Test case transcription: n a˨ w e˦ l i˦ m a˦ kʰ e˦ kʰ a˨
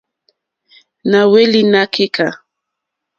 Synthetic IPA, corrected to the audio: n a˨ w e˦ l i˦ n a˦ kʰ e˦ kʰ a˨